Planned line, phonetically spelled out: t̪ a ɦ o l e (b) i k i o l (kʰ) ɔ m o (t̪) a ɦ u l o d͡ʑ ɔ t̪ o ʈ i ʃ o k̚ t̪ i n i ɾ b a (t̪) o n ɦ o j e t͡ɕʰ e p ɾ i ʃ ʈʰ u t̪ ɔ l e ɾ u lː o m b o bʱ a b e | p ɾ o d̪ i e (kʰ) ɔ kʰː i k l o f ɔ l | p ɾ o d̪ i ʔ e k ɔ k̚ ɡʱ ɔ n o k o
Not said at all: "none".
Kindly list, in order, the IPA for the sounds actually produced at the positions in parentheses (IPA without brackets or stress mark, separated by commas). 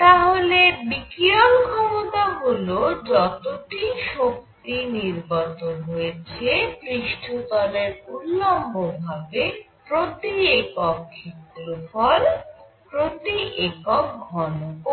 b, kʰ, t̪, t̪, k